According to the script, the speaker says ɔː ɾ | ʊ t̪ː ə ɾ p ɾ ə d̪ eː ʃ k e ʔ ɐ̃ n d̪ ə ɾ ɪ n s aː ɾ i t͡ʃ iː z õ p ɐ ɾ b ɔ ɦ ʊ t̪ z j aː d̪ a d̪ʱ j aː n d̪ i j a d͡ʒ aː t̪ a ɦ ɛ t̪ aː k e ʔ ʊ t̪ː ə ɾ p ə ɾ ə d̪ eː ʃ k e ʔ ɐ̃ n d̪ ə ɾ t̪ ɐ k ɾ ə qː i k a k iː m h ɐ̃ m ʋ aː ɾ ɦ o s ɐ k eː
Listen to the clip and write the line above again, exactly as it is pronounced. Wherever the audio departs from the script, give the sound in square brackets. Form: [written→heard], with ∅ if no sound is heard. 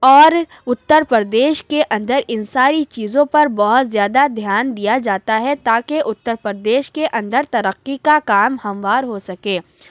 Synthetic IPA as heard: ɔː ɾ | ʊ t̪ː ə ɾ p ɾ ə d̪ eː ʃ k e ʔ ɐ̃ n d̪ ə ɾ ɪ n s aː ɾ i t͡ʃ iː z õ p ɐ ɾ b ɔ ɦ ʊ t̪ z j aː d̪ a d̪ʱ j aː n d̪ i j a d͡ʒ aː t̪ a ɦ ɛ t̪ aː k e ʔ ʊ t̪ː ə ɾ p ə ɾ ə d̪ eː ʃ k e ʔ ɐ̃ n d̪ ə ɾ t̪ ɐ [k→∅] ɾ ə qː i k a k [iː→aː] m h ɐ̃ m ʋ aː ɾ ɦ o s ɐ k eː